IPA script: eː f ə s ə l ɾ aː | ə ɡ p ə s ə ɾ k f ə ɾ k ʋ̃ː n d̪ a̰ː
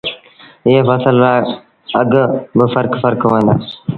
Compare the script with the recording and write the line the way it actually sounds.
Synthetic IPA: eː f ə s ə l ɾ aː | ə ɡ b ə f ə ɾ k f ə ɾ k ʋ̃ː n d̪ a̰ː